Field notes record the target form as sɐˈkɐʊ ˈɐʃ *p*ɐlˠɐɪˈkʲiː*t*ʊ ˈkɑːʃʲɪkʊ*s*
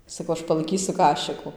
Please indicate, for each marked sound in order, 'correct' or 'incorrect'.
correct, incorrect, incorrect

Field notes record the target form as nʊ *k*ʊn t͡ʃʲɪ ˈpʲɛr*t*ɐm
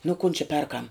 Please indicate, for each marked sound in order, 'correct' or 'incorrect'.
correct, incorrect

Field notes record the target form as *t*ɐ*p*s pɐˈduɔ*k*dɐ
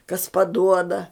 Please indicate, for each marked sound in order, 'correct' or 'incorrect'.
incorrect, incorrect, incorrect

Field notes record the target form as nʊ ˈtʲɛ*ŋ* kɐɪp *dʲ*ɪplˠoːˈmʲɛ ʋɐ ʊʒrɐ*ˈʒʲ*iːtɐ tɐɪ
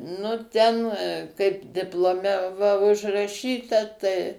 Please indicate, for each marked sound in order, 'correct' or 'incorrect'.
incorrect, correct, incorrect

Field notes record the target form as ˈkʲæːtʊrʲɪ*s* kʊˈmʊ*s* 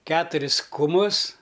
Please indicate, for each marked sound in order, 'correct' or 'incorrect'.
correct, correct

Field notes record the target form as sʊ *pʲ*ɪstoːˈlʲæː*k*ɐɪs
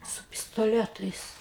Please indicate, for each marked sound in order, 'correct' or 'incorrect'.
correct, incorrect

